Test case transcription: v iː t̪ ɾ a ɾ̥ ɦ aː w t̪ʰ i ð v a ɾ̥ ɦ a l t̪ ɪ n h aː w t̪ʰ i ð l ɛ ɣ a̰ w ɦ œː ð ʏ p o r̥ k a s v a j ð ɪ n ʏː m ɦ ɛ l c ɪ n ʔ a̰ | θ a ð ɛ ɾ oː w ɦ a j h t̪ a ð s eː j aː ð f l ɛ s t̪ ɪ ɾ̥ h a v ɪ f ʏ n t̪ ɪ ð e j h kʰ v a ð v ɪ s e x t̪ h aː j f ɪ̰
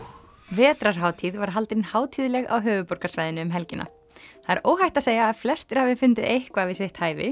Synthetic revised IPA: v ɛː t̪ ɾ a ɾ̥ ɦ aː w t̪ʰ i ð v a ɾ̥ ɦ a l t̪ ɪ n h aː w t̪ʰ i ð l ɛ ɣ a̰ w ɦ œː v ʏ p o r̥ k a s v a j ð ɪ n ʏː m ɦ ɛ l c ɪ n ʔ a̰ | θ a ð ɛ ɾ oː w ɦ a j h t̪ a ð s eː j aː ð f l ɛ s t̪ ɪ ɾ̥ h a v ɪ f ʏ n t̪ ɪ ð e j h k v a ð v ɪ s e h t̪ h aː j v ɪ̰